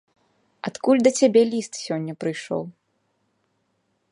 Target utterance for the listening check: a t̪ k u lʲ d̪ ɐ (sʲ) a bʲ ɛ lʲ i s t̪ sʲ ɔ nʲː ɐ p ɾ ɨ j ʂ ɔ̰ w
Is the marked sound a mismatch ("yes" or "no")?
yes